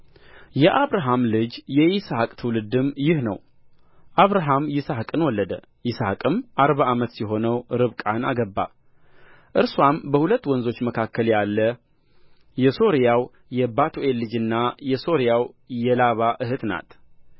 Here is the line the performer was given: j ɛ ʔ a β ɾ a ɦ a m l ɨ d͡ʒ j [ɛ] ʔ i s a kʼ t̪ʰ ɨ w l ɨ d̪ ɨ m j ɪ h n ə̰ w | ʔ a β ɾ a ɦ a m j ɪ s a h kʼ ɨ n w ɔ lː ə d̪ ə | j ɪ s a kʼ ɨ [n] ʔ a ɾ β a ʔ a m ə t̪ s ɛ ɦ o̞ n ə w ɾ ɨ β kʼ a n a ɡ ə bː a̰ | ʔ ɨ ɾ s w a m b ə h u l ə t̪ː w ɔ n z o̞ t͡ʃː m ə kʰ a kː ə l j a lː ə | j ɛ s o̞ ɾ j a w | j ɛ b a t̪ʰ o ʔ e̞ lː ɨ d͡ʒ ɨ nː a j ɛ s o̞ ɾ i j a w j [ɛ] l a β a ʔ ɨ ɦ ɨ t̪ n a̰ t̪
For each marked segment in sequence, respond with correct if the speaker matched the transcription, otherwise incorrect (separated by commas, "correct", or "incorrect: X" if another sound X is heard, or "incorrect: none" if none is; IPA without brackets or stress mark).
correct, incorrect: m, correct